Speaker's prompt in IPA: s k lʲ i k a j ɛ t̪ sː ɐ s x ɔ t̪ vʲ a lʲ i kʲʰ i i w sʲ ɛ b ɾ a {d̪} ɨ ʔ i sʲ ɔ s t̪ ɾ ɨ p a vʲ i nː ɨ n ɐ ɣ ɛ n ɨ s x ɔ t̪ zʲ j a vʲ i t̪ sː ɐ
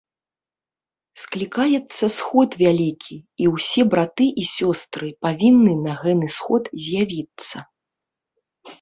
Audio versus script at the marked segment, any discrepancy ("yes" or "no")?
yes